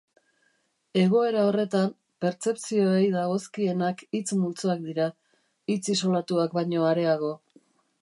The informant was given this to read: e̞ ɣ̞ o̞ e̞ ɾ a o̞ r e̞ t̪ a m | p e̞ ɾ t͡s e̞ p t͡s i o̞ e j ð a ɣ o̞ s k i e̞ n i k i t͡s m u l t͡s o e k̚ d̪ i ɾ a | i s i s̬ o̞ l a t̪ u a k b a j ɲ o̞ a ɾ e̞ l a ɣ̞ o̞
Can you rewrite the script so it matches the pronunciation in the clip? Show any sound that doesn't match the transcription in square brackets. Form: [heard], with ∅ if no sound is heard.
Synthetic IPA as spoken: e̞ ɣ̞ o̞ e̞ ɾ a o̞ r e̞ t̪ a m | p e̞ ɾ t͡s e̞ p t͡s i o̞ e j ð a ɣ o̞ s k i e̞ n [a] k i t͡s m u l t͡s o [a] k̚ d̪ i ɾ a | i [t͡s] i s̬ o̞ l a t̪ u a k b a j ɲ o̞ a ɾ e̞ [∅] a ɣ̞ o̞

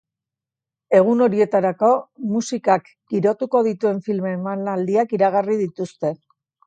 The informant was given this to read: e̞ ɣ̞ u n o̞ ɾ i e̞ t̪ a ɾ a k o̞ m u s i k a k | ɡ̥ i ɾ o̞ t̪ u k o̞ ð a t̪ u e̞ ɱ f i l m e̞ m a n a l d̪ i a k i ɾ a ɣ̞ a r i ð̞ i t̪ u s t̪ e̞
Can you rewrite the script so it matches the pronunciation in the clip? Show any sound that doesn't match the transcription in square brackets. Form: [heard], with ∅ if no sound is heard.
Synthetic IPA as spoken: e̞ ɣ̞ u n o̞ ɾ i e̞ t̪ a ɾ a k o̞ m u s i k a k | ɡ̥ i ɾ o̞ t̪ u k o̞ ð [i] t̪ u e̞ ɱ f i l m e̞ m a n a l d̪ i a k i ɾ a ɣ̞ a r i ð̞ i t̪ u s t̪ e̞

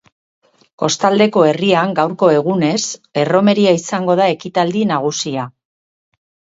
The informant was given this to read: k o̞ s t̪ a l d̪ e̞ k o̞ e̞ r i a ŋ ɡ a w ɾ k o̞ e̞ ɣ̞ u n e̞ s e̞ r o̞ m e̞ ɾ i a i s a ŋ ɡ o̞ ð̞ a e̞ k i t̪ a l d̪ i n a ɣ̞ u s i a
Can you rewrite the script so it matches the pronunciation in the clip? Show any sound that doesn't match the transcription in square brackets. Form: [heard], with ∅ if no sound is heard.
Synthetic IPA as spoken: k o̞ s t̪ a l d̪ e̞ k o̞ e̞ r i a ŋ ɡ a w ɾ k o̞ e̞ ɣ̞ u n e̞ s e̞ r o̞ m e̞ ɾ i a i s a ŋ ɡ o̞ ð̞ a e̞ k i t̪ a l d̪ i n a ɣ̞ u s i a

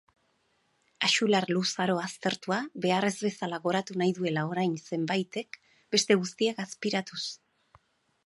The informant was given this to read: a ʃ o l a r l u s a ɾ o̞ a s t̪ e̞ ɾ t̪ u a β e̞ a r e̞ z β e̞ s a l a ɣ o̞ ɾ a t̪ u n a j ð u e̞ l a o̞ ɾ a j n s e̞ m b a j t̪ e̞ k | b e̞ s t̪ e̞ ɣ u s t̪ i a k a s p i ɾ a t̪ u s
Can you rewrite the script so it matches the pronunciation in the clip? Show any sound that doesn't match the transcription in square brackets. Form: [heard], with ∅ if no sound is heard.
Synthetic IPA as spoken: a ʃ [u] l a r l u s a ɾ o̞ a s t̪ e̞ ɾ t̪ u a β e̞ a r e̞ z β e̞ s a l a ɣ o̞ ɾ a t̪ u n a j ð u e̞ l a o̞ ɾ a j n s e̞ m b a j t̪ e̞ k | b e̞ s t̪ e̞ ɣ u s t̪ i a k a s p i ɾ a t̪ u s

